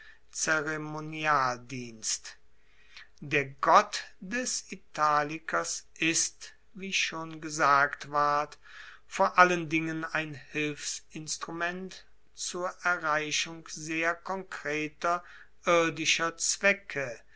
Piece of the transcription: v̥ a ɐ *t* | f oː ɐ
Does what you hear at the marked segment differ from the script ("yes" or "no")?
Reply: no